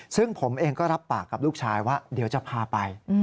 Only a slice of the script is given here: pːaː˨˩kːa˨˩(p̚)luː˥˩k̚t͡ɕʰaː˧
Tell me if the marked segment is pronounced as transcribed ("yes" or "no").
yes